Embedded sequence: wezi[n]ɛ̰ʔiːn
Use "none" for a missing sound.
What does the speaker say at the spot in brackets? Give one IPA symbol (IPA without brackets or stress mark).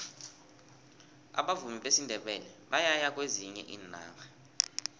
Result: ɲ